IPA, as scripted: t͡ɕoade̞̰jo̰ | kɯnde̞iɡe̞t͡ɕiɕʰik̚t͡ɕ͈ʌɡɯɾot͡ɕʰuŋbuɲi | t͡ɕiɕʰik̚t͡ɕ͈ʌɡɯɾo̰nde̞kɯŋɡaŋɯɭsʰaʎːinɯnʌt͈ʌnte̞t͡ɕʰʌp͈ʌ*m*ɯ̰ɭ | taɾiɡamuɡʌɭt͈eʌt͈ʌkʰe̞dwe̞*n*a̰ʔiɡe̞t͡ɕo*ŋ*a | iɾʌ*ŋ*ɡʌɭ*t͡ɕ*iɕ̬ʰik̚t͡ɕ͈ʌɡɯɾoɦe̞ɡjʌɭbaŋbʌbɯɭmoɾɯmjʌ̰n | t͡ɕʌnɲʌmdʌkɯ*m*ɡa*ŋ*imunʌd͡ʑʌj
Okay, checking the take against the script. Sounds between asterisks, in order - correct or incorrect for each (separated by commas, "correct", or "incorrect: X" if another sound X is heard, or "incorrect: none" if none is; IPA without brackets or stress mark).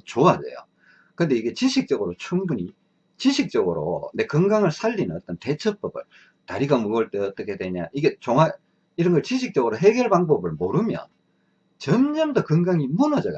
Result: incorrect: b, incorrect: ɲ, correct, incorrect: n, correct, incorrect: ŋ, correct